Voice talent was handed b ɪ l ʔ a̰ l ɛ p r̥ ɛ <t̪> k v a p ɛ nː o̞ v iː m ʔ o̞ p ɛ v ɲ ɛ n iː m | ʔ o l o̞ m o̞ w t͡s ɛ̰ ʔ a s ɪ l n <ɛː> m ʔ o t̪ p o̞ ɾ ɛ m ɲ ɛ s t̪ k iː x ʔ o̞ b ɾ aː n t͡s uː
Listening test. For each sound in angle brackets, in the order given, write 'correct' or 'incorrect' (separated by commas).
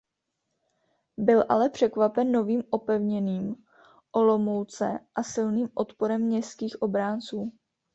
incorrect, incorrect